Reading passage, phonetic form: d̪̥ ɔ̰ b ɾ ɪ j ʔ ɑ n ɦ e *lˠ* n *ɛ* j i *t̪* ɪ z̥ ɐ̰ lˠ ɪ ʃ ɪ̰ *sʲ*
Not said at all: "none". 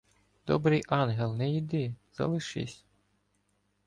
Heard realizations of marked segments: lˠ, ɛ, d̪, sʲ

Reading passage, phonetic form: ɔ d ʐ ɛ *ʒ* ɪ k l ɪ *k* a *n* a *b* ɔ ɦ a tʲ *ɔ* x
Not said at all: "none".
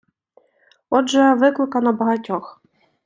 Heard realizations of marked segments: v, k, n, b, ɔ

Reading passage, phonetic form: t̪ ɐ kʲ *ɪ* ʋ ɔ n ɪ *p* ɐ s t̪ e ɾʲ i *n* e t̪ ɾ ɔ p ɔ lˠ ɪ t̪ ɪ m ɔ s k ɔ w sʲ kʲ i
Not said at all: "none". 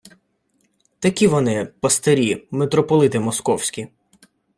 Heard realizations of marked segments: i, p, m

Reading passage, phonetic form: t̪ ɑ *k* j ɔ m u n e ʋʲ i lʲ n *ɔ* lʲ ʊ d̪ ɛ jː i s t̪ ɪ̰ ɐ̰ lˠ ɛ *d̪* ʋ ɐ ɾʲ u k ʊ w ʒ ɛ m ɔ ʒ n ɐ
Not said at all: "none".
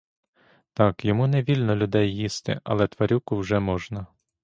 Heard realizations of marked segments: k, ɔ, t̪

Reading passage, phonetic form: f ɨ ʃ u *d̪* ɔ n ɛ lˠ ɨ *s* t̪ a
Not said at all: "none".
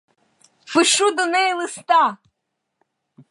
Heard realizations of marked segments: d̪, s

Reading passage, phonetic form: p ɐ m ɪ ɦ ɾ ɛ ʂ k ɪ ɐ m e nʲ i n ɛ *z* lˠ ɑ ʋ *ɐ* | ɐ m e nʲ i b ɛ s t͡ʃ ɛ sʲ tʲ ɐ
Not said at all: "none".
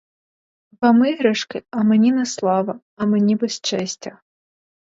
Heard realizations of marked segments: s, ɐ

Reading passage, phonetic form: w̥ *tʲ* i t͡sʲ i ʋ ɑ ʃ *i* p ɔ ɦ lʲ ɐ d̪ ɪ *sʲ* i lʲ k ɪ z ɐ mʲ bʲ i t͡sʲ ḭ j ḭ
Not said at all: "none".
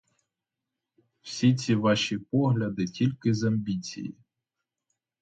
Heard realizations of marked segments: sʲ, i, tʲ

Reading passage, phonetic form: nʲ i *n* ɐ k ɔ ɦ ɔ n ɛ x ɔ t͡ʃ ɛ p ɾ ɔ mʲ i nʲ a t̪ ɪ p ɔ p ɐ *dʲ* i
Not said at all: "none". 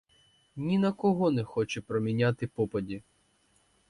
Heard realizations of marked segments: n, dʲ

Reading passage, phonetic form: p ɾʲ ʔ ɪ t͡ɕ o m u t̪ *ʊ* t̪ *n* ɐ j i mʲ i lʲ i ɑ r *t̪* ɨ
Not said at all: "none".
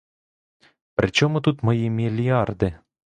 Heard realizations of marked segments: u, m, d̪

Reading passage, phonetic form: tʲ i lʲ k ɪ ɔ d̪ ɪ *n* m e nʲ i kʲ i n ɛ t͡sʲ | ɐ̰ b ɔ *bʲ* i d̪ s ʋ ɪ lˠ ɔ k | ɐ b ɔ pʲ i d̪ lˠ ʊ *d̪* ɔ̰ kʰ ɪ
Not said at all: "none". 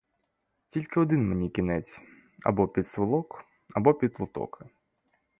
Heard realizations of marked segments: n, pʲ, t̪

